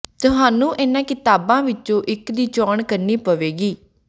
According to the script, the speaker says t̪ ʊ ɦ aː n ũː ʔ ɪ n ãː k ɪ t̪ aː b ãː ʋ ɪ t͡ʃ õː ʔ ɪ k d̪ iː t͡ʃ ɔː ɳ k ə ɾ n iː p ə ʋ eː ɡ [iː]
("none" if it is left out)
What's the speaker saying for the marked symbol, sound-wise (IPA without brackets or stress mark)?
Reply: iː